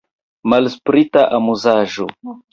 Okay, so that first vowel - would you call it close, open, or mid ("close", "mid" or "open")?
open